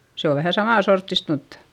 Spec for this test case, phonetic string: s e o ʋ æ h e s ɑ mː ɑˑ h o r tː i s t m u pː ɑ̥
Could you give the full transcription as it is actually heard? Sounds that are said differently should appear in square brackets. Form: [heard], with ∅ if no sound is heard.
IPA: s e o ʋ æ h [æ] s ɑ [m] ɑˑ [s] o r tː i s t m u [tː] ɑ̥